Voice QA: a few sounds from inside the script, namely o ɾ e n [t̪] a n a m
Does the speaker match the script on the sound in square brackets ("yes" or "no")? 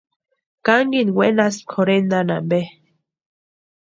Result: no